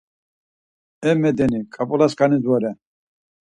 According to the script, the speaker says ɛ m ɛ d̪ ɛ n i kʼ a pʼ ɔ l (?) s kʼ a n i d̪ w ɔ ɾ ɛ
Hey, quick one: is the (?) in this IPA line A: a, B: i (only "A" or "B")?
A